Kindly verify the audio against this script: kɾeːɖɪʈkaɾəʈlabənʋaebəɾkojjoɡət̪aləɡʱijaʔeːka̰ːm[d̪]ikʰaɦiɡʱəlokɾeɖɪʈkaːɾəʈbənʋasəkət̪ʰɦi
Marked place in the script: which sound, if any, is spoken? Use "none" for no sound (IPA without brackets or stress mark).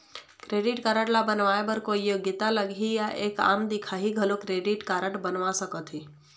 d̪